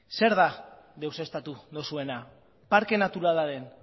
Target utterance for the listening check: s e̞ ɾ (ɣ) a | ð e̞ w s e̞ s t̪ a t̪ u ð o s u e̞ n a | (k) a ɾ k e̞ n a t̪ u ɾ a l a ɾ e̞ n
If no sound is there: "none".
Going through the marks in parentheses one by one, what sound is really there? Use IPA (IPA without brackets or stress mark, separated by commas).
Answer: ð, p